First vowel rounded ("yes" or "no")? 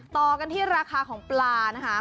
yes